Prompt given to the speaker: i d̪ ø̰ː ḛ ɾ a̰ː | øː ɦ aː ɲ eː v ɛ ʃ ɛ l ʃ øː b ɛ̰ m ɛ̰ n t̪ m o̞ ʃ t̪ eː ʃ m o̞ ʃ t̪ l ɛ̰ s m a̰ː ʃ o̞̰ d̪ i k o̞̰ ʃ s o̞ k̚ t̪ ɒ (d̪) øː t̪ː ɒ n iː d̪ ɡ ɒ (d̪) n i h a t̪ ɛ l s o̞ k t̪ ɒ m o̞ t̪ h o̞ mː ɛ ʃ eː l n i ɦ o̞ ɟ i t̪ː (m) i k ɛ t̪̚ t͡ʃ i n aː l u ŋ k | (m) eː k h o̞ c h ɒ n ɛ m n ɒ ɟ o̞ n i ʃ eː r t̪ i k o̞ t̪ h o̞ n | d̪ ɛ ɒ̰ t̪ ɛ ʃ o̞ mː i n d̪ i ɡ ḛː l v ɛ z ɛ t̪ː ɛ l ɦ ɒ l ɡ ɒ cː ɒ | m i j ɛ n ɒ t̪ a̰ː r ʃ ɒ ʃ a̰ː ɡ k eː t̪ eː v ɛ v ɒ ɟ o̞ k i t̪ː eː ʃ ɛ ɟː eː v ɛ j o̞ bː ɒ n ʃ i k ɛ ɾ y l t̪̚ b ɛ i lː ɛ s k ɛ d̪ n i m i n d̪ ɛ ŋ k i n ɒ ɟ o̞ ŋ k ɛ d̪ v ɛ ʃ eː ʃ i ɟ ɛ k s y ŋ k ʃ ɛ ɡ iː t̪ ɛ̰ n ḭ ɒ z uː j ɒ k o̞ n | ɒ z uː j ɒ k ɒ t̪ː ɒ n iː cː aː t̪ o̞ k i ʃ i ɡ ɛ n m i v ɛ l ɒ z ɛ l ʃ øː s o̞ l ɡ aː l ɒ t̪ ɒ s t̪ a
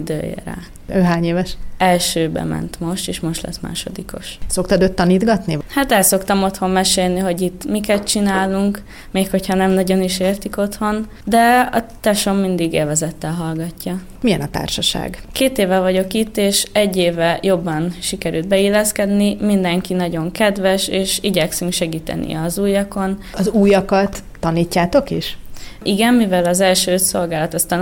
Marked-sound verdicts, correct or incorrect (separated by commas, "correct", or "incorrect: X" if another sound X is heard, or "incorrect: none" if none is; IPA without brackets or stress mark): correct, incorrect: t̪, correct, correct